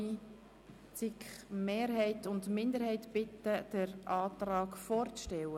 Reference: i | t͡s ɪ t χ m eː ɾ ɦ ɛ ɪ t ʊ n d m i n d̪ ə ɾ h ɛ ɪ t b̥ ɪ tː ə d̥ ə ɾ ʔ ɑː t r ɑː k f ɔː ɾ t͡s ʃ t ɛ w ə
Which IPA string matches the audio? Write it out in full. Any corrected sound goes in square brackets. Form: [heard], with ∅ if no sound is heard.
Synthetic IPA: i | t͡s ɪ [k] χ m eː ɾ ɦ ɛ ɪ t ʊ n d m [ɪ] n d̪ ə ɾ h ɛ ɪ t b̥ ɪ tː ə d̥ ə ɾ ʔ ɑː t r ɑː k f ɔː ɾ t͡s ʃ t ɛ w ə